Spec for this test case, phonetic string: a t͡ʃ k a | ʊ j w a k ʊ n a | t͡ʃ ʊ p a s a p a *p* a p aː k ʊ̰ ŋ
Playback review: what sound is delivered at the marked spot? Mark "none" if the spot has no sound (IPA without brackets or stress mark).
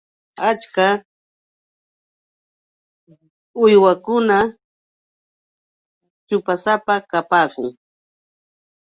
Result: k